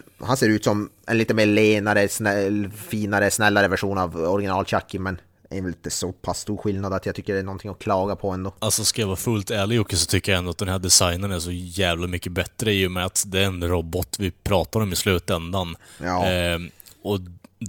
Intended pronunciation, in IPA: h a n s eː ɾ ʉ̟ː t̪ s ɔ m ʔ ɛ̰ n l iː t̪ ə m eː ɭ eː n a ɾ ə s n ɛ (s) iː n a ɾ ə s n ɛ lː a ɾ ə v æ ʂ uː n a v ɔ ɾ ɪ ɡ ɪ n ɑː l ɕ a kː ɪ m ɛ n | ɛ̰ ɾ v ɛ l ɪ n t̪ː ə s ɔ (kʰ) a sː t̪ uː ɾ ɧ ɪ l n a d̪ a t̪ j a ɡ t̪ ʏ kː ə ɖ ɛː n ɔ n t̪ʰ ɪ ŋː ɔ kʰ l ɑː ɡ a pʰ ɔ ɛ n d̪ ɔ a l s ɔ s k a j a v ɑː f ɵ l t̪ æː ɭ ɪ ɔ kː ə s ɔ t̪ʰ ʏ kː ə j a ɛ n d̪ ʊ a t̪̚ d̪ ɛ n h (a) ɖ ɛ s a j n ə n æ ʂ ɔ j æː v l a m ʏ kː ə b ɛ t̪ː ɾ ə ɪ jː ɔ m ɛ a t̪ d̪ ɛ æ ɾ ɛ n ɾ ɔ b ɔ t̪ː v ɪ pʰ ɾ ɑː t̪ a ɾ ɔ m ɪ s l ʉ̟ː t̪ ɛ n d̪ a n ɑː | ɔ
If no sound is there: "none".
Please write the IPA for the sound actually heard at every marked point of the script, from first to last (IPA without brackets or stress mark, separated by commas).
f, pʰ, æ